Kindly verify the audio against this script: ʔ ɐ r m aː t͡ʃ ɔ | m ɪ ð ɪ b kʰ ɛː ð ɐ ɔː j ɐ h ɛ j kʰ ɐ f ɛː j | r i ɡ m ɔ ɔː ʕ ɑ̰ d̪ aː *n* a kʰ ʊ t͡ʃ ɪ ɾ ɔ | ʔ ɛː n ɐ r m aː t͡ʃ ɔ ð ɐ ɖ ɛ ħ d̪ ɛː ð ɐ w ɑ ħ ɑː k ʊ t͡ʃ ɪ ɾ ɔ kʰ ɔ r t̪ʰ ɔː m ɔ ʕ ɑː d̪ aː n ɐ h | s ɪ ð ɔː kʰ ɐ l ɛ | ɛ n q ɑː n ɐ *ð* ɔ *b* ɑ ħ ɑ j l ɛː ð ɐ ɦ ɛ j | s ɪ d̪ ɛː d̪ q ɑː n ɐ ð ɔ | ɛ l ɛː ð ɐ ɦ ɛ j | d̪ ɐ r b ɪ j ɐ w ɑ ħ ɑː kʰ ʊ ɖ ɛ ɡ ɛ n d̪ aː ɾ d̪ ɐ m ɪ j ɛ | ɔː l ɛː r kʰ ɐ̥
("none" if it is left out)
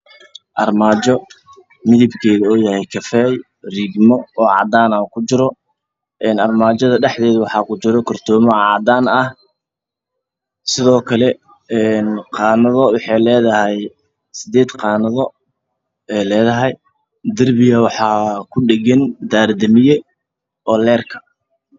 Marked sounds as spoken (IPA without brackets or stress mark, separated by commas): n, ð, w